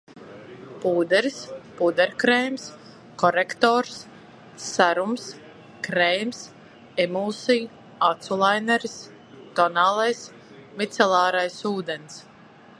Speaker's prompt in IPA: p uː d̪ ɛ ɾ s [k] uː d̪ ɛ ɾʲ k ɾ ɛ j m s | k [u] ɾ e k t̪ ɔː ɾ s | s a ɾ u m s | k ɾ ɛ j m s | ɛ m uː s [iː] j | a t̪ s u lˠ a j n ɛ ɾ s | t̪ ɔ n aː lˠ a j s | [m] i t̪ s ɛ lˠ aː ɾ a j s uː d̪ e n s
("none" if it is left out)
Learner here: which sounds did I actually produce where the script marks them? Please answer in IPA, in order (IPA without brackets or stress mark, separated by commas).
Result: p, ɔ, i, m